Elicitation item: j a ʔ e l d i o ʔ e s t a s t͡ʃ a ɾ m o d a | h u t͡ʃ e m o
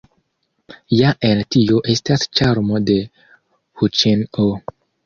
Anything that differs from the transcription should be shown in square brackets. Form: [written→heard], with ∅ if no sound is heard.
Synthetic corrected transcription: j a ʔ e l [d→t] i o ʔ e s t a s t͡ʃ a ɾ m o d [a→e] | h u t͡ʃ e [m→n] o

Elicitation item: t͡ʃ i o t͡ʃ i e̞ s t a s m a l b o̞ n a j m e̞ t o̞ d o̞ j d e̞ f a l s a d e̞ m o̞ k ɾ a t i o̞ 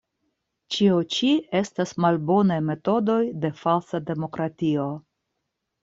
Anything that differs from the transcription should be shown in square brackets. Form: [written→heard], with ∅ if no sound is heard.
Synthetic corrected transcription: t͡ʃ i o t͡ʃ i e̞ s t a s m a l b o̞ n a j m e̞ t o̞ d o̞ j d e̞ f a l s a d e̞ m o̞ k ɾ a t i o̞

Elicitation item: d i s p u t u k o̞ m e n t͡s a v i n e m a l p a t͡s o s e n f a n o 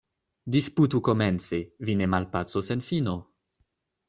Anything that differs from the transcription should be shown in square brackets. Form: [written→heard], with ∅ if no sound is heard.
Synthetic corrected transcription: d i s p u t u k o̞ m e n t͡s [a→e] v i n e m a l p a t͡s o s e n f [a→i] n o

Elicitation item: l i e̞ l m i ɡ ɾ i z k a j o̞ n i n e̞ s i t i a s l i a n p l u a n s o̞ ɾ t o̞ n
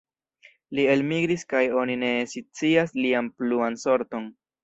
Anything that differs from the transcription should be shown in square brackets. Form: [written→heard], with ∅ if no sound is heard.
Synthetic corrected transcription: l i e̞ l m i ɡ ɾ i [z→s] k a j o̞ n i n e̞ s i [t→t͡s] i a s l i a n p l u a n s o̞ ɾ t o̞ n

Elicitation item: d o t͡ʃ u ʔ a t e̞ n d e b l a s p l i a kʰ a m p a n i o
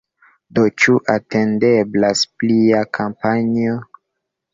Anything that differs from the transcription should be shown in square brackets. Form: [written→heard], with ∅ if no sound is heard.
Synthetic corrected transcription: d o t͡ʃ u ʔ a t e̞ n d e b l a s p l i a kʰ a m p a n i o

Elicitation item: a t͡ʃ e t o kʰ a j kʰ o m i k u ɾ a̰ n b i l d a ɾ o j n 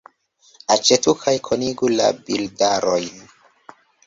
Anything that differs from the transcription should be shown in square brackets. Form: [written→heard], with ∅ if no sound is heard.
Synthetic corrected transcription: a t͡ʃ e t [o→u] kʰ a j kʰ o [m→n] i [k→ɡ] u [ɾ→l] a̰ [n→∅] b i l d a ɾ o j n

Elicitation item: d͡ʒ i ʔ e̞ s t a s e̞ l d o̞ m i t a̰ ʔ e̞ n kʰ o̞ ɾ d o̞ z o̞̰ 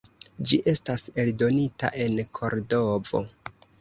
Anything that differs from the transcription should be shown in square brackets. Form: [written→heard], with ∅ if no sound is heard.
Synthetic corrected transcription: d͡ʒ i ʔ e̞ s t a s e̞ l d o̞ [m→n] i t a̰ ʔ e̞ n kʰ o̞ ɾ d o̞ [z→v] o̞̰

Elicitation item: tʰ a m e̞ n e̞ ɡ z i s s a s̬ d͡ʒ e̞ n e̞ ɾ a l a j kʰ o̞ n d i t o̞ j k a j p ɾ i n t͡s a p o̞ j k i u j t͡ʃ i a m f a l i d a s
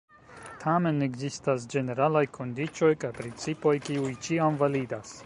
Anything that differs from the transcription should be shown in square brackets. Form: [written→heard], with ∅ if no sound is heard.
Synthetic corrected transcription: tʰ a m e̞ n e̞ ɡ z i s [s→t] a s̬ d͡ʒ e̞ n e̞ ɾ a l a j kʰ o̞ n d i [t→t͡ʃ] o̞ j k a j p ɾ i n t͡s [a→i] p o̞ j k i u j t͡ʃ i a m [f→v] a l i d a s

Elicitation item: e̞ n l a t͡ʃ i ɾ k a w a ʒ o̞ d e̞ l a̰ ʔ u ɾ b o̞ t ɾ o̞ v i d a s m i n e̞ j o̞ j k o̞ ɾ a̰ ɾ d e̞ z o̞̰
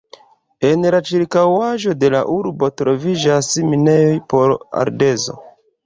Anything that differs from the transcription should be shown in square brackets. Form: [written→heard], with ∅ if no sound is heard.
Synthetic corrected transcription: e̞ n l a t͡ʃ i ɾ k a w a ʒ o̞ d e̞ l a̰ ʔ u ɾ b o̞ t ɾ o̞ v i [d→d͡ʒ] a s m i n e̞ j o̞ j [k→p] o̞ ɾ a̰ ɾ d e̞ z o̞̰

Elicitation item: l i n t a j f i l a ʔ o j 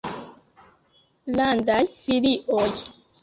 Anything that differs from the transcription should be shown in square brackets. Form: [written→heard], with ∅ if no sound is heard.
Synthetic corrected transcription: l [i→a] n [t→d] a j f i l [a→i] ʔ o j

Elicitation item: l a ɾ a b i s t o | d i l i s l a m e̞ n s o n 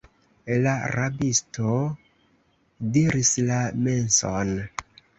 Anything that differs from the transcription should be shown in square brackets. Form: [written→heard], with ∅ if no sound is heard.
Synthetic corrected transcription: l a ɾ a b i s t o | d i [l→ɾ] i s l a m e̞ n s o n

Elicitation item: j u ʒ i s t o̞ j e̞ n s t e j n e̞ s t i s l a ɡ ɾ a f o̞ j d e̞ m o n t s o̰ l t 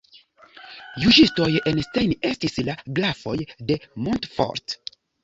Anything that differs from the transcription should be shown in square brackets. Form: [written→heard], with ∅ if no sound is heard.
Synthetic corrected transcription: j u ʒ i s t o̞ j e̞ n s t e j n e̞ s t i s l a ɡ [ɾ→l] a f o̞ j d e̞ m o n t [s→f] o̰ [l→ɾ] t

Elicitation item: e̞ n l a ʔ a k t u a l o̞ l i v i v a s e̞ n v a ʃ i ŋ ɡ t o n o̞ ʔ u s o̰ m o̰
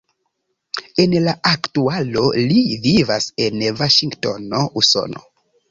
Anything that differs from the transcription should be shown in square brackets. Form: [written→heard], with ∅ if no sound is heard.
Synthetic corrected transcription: e̞ n l a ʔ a k t u a l o̞ l i v i v a s e̞ n v a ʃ i ŋ ɡ t o n o̞ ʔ u s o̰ [m→n] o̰

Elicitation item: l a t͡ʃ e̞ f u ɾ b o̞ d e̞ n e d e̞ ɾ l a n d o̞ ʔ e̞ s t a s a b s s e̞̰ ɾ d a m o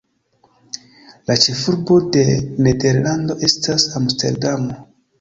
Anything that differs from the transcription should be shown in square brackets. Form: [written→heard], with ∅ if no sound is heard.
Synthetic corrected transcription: l a t͡ʃ e̞ f u ɾ b o̞ d e̞ n e d e̞ ɾ l a n d o̞ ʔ e̞ s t a s a [b→m] s [s→t] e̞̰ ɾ d a m o

